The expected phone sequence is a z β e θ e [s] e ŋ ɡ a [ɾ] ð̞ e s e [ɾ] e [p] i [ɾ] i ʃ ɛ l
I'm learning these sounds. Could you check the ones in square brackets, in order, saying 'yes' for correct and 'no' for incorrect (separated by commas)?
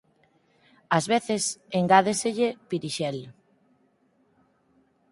yes, no, no, yes, yes